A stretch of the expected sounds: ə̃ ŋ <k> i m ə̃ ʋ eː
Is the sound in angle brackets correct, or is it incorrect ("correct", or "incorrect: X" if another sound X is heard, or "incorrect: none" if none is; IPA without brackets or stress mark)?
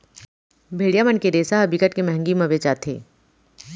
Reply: incorrect: ɡ